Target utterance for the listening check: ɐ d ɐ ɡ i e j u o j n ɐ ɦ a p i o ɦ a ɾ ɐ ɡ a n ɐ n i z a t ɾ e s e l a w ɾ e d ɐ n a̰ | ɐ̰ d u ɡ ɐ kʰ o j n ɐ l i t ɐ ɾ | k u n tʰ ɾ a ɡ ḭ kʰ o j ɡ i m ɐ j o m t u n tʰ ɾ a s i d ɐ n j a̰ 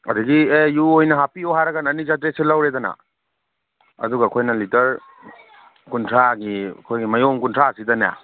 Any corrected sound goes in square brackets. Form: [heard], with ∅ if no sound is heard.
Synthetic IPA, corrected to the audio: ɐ d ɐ ɡ i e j u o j n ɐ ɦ a p i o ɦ a ɾ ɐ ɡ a n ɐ n i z a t ɾ e s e l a w ɾ e d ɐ n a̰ | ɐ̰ d u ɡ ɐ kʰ o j n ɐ l i t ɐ ɾ | k u n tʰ ɾ a ɡ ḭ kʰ o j ɡ i m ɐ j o m [k] u n tʰ ɾ a s i d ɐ n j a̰

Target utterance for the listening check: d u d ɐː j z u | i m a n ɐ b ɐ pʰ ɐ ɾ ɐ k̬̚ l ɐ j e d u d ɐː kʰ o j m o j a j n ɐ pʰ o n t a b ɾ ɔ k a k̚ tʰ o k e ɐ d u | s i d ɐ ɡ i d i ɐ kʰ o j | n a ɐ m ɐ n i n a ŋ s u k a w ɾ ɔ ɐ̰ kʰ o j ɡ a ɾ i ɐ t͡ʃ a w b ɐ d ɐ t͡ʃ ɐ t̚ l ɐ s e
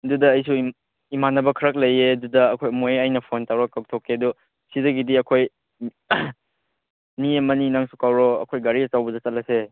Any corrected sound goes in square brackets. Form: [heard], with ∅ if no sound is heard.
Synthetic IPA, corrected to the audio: d u d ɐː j [s] u | i m a n ɐ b ɐ [kʰ] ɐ ɾ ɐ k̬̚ l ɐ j e d u d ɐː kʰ o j m o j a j n ɐ pʰ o n t a [w] ɾ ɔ k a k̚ tʰ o k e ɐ d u | s i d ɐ ɡ i d i ɐ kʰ o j | n [i] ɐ m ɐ n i n a ŋ s u k a w ɾ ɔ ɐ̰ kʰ o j ɡ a ɾ i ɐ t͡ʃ a w b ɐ d ɐ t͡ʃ ɐ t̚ l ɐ s e

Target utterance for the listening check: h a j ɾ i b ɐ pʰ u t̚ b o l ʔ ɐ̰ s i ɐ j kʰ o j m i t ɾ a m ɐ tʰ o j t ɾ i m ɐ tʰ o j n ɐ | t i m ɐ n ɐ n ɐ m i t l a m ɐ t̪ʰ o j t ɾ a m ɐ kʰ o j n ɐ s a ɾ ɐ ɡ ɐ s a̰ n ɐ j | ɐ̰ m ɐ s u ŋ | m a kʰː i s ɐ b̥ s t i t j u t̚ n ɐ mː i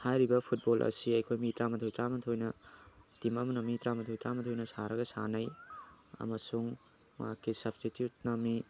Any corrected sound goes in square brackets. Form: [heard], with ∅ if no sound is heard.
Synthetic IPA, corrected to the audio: h a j ɾ i b ɐ pʰ u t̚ b o l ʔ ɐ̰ s i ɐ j kʰ o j m i t ɾ a m ɐ tʰ o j t ɾ [a] m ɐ tʰ o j n ɐ | t i m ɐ [m] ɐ n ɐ m i t [ɾ] a m ɐ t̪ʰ o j t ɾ a m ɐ [tʰ] o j n ɐ s a ɾ ɐ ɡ ɐ s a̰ n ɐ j | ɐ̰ m ɐ s u ŋ | m a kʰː i s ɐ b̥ s t i t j u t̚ n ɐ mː i

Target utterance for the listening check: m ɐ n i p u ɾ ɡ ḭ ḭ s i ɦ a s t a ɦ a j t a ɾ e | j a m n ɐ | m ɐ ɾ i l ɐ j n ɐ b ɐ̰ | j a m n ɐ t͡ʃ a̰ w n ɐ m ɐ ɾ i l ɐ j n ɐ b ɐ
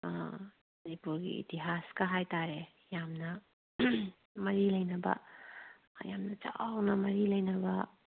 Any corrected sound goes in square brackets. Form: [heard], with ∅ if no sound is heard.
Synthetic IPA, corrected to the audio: m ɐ n i p u ɾ ɡ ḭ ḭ [t] i ɦ a s [k] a ɦ a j t a ɾ e | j a m n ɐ | m ɐ ɾ i l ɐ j n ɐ b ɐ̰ | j a m n ɐ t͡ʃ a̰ w n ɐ m ɐ ɾ i l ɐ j n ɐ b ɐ

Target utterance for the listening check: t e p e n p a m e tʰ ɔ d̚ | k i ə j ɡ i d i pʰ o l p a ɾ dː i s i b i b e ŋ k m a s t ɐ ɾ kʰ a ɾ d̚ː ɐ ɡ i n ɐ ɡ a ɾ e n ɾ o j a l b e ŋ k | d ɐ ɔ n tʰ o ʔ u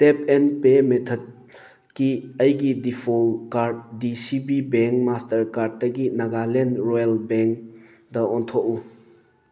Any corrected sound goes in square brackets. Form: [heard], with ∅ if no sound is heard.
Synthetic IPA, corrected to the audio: t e p e n p [e] m e tʰ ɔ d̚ | k i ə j ɡ i d i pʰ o l [k] a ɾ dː i s i b i b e ŋ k m a s t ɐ ɾ [k] a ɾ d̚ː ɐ ɡ i n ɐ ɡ a [l] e n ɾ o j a l b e ŋ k | d ɐ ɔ n tʰ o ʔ u

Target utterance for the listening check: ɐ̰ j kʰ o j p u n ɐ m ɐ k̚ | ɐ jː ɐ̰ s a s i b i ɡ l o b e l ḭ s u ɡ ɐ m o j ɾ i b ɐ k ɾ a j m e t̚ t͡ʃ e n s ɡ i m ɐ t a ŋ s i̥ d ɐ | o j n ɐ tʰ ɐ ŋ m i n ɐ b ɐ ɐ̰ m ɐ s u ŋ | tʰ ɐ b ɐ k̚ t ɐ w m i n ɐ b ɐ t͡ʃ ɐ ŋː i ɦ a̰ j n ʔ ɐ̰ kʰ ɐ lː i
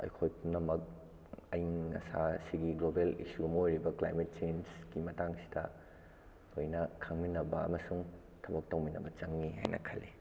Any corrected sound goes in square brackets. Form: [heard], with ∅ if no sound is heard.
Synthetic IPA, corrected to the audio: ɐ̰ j kʰ o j p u n ɐ m ɐ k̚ | ɐ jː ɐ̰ s a s i [ɡ] i ɡ l o b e l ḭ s u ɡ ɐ m o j ɾ i b ɐ k [l] a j m e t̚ t͡ʃ e n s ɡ i m ɐ t a ŋ s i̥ d ɐ | o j n ɐ [kʰ] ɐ ŋ m i n ɐ b ɐ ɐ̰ m ɐ s u ŋ | tʰ ɐ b ɐ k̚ t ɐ w m i n ɐ b ɐ t͡ʃ ɐ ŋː i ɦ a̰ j n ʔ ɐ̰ kʰ ɐ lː i

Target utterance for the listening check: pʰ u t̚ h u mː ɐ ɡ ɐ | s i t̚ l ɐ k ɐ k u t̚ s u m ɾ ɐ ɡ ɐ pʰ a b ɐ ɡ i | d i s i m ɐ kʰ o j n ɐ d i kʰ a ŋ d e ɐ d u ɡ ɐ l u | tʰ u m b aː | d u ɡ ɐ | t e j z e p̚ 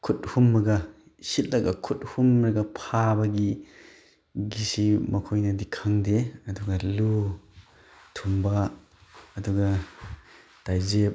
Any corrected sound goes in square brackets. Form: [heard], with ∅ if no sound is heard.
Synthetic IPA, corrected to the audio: [kʰ] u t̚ h u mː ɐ ɡ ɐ | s i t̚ l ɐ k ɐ [kʰ] u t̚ [h] u m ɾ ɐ ɡ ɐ pʰ a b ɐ ɡ i | [ɡ] i s i m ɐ kʰ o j n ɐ d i kʰ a ŋ d e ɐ d u ɡ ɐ l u | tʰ u m b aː | d u ɡ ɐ | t [a] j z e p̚

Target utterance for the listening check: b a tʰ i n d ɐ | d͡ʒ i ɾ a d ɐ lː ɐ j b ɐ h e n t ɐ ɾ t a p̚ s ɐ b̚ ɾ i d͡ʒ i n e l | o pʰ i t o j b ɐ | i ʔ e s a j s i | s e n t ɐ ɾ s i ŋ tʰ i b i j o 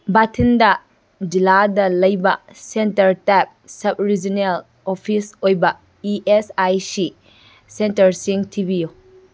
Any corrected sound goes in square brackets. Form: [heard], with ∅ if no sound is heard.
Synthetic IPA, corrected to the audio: b a tʰ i n d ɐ | d͡ʒ i [l] a d ɐ [l] ɐ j b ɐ [s] e n t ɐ ɾ t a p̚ s ɐ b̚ ɾ i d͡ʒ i n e l | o pʰ i [s] o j b ɐ | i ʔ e s a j s i | s e n t ɐ ɾ s i ŋ tʰ i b i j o

